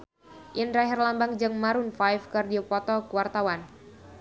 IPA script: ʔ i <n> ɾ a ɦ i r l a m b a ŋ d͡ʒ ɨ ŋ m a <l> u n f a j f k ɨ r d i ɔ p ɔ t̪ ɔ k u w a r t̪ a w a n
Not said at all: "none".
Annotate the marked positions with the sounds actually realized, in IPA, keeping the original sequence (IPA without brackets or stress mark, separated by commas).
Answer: n, ɾ